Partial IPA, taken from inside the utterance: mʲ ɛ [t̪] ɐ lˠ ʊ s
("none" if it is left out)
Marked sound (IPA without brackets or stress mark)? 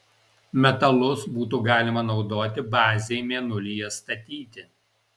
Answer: t̪